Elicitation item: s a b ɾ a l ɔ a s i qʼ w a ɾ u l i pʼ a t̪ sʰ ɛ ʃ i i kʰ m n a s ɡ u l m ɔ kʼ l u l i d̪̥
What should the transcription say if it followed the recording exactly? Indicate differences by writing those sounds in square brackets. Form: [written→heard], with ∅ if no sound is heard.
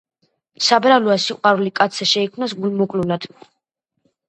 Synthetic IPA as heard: s a b ɾ a l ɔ a s i qʼ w a ɾ u l i [pʼ→kʼ] a t̪ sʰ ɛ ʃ [i→ɛ] i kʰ m n a s ɡ u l m ɔ kʼ l u l [i→a] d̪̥